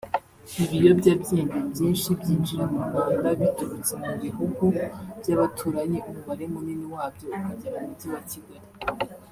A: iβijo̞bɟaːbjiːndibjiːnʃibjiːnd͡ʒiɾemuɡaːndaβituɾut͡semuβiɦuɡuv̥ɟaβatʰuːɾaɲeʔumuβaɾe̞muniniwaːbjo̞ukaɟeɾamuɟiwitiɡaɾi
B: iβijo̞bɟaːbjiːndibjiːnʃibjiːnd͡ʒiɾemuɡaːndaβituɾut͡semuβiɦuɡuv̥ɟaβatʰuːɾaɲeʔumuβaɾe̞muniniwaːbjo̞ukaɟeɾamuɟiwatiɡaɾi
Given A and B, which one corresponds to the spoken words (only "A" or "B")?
B